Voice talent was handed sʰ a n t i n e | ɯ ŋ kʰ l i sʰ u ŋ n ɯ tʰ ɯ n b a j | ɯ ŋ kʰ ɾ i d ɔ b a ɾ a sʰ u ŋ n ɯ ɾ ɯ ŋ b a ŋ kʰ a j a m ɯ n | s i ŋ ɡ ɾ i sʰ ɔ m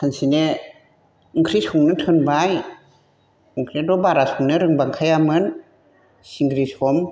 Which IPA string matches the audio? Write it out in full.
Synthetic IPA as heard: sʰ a n s i n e | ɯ ŋ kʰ ɾ i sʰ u ŋ n ɯ tʰ ɯ n b a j | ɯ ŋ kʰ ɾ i d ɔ b a ɾ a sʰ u ŋ n ɯ ɾ ɯ ŋ b a ŋ kʰ a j a m ɯ n | s i ŋ ɡ ɾ i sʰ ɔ m